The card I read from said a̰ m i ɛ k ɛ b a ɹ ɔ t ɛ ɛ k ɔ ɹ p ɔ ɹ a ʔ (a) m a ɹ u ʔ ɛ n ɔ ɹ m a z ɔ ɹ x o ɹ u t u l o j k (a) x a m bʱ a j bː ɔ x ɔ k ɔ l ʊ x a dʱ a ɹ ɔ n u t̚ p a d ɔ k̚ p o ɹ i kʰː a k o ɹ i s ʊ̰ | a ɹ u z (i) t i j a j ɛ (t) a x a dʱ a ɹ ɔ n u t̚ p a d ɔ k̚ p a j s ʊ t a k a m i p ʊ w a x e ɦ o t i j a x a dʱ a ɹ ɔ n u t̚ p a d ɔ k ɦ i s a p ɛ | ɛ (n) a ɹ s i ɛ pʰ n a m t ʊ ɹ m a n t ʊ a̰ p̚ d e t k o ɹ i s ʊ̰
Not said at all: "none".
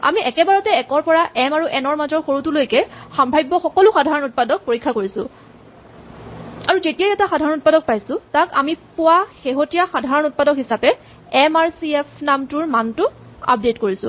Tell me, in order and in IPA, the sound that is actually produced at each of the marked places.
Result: ɛ, ɛ, e, t, m

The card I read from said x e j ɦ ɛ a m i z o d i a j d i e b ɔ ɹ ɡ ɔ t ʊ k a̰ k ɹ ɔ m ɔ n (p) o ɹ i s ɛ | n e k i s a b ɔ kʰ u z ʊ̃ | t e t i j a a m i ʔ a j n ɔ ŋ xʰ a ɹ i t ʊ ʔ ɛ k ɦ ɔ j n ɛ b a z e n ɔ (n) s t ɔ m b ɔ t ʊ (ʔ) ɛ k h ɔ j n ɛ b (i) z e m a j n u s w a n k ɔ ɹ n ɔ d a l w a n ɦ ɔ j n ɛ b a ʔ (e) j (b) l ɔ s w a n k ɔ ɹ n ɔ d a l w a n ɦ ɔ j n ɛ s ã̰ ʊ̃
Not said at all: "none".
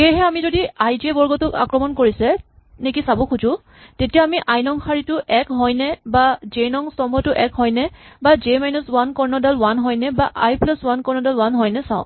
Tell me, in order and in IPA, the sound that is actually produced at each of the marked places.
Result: k, ŋ, ʔ, a, a, p

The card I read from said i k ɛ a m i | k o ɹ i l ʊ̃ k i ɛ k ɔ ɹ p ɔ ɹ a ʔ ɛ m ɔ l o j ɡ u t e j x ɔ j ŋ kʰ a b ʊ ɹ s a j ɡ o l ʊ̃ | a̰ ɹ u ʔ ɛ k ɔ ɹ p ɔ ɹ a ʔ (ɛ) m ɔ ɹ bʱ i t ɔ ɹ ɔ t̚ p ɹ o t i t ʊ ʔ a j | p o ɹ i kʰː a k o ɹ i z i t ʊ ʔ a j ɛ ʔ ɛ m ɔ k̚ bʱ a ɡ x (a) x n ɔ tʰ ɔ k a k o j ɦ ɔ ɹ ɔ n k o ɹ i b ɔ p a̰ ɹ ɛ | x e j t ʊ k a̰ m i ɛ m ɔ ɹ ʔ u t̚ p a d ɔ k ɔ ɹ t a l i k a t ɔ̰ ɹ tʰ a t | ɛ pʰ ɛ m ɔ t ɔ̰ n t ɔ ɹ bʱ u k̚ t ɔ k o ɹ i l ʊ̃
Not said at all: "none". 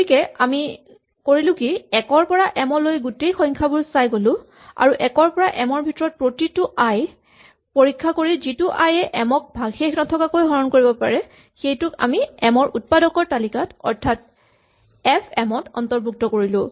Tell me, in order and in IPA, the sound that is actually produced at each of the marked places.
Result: ɛ, e

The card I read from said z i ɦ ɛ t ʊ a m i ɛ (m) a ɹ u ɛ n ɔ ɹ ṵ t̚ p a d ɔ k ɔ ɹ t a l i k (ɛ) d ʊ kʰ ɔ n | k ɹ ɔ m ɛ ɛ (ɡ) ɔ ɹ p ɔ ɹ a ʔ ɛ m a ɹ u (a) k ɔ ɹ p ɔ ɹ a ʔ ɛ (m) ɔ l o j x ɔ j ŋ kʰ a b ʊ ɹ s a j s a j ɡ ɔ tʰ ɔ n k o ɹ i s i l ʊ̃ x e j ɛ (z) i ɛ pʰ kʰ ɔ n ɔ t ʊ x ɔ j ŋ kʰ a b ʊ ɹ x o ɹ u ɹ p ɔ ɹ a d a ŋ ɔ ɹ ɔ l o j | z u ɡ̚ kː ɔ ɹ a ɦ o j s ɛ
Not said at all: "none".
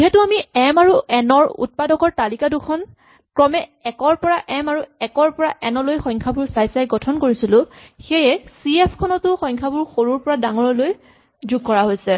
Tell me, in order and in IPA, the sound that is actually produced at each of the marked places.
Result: m, a, k, ɛ, n, s

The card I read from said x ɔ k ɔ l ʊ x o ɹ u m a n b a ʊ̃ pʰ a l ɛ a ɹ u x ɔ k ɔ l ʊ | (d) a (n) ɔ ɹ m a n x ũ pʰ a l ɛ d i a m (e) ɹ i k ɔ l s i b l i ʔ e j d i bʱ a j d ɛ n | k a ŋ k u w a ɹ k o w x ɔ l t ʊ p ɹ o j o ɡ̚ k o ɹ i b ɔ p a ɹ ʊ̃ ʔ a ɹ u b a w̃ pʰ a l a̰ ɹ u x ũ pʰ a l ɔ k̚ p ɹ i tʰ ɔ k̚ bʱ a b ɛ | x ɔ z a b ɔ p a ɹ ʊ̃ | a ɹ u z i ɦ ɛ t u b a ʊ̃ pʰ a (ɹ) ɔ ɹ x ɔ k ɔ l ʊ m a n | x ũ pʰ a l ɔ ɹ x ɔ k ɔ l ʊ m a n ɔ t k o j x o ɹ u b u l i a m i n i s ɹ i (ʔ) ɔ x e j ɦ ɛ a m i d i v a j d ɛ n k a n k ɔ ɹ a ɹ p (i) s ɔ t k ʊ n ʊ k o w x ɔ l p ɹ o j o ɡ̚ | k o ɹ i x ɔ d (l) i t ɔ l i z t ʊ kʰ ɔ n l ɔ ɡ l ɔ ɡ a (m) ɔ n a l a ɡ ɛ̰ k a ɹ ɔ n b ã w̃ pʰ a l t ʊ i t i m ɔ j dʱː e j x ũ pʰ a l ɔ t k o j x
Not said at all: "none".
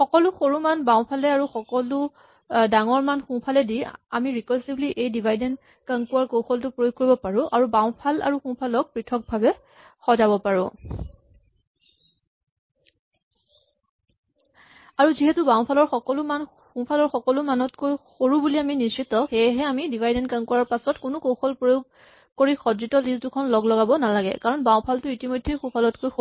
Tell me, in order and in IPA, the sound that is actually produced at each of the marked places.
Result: d, ŋ, i, l, t, a, ɹ, b

